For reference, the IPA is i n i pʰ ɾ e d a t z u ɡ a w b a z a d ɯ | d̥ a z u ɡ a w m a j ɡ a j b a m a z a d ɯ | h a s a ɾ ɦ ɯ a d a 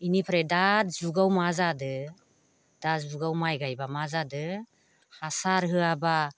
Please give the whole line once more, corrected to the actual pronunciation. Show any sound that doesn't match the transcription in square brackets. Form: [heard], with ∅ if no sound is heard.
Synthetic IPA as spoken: i n i pʰ ɾ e d a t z u ɡ a w [m] a z a d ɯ | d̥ a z u ɡ a w m a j ɡ a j b a m a z a d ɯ | h a s a ɾ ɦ ɯ a [b] a